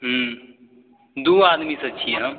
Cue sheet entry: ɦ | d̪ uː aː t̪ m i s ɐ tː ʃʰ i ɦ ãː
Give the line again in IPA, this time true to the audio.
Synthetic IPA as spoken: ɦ | d̪ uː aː d̪ m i s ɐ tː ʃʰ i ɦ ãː

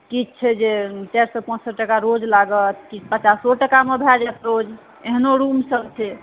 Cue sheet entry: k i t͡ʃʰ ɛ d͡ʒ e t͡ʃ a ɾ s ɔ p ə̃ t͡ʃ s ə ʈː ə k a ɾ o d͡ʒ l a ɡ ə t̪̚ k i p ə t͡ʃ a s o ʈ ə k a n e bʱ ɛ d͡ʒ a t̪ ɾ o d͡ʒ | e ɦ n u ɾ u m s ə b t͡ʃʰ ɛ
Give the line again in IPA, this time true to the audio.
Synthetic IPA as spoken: k i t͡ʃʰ ɛ d͡ʒ e t͡ʃ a ɾ s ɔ p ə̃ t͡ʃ s ə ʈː ə k a ɾ o d͡ʒ l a ɡ ə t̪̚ k i p ə t͡ʃ a s o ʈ ə k a m e bʱ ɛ d͡ʒ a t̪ ɾ o d͡ʒ | e ɦ n o ɾ u m s ə b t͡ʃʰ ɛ

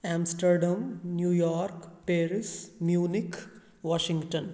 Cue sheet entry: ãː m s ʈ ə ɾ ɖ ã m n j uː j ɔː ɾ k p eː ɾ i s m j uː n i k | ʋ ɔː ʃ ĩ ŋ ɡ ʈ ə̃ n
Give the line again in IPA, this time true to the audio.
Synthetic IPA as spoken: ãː m s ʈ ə ɾ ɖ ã m n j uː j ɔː ɾ k p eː ɾ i s m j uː n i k | ʋ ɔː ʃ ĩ ŋ ɡ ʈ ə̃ n

